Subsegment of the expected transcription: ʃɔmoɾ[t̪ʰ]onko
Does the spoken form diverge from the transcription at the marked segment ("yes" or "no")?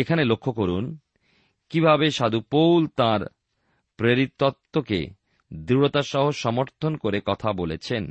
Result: no